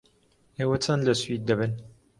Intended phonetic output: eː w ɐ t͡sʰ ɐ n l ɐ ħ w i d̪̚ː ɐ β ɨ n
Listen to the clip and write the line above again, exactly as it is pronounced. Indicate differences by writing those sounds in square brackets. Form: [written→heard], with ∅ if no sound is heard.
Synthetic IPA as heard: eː w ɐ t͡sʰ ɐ n l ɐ [ħ→s] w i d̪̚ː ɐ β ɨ n